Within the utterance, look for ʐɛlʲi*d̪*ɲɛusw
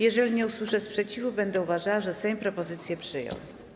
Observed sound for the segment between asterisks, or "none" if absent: none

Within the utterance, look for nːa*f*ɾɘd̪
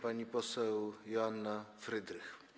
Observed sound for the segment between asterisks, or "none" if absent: f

